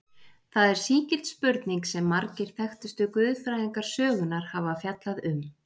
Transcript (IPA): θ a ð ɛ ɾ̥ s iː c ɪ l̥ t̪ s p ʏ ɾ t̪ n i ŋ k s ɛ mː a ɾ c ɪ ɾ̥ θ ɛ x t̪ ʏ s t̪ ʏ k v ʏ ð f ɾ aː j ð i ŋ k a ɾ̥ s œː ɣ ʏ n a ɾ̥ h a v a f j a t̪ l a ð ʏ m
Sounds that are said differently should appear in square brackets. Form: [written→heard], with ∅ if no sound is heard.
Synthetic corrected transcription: θ a ð ɛ ɾ̥ s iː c ɪ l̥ t̪ s p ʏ ɾ t̪ n i ŋ k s ɛ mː a ɾ c ɪ ɾ̥ θ ɛ x t̪ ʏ s t̪ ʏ k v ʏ ð f ɾ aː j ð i ŋ k a ɾ̥ s œː ɣ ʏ n a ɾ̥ h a v a f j a t̪ l a ð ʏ m

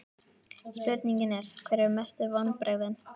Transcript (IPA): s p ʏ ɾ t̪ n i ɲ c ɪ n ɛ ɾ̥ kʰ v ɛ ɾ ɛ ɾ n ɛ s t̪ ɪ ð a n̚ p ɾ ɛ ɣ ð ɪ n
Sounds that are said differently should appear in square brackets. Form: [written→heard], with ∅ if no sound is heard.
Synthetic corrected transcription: s p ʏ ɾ t̪ n i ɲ c ɪ n ɛ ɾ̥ kʰ v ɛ ɾ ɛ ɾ [n→m] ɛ s t̪ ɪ [ð→v] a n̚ p ɾ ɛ ɣ ð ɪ n

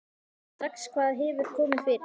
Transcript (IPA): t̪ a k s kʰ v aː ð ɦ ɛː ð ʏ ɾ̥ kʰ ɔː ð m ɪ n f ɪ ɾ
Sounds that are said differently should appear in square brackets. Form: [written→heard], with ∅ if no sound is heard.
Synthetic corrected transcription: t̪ a k s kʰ v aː ð ɦ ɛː [ð→v] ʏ ɾ̥ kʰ ɔː [ð→∅] m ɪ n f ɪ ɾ

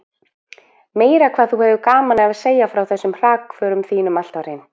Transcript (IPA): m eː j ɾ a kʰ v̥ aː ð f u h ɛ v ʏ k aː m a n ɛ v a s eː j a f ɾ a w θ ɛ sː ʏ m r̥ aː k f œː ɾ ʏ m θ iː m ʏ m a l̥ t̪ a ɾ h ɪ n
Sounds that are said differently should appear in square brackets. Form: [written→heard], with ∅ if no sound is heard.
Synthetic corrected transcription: m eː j ɾ a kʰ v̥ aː ð [f→θ] u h ɛ v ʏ k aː m a n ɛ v a s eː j a f ɾ a w θ ɛ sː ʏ m r̥ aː k f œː ɾ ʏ m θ iː [m→n] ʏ m a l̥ t̪ a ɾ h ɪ n

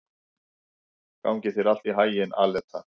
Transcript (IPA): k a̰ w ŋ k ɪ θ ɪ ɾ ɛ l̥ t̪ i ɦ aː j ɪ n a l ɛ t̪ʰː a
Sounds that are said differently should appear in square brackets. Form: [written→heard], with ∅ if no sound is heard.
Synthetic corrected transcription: k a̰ w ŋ [k→c] ɪ θ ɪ ɾ [ɛ→a] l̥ t̪ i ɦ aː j ɪ n a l ɛ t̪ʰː a

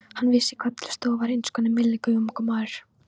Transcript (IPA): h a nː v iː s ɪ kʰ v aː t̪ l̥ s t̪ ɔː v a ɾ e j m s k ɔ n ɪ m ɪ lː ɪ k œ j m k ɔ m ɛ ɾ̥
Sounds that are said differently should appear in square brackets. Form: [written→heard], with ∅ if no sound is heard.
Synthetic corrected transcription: h a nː v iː s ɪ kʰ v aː t̪ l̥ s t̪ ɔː v a ɾ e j [m→n] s k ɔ n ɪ m ɪ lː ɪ k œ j m k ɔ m [ɛ→a] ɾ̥

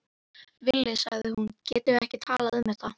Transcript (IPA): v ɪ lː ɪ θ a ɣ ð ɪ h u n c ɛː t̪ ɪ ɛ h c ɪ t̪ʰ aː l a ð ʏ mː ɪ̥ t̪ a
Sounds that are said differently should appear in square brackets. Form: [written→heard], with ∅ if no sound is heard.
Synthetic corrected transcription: v ɪ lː ɪ [θ→s] a ɣ ð ɪ h u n c ɛː t̪ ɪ ɛ h c ɪ t̪ʰ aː l a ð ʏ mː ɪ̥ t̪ a

